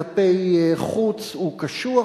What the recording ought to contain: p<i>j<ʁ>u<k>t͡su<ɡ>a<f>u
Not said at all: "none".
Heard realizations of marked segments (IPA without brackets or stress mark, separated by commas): e, χ, none, k, ʃ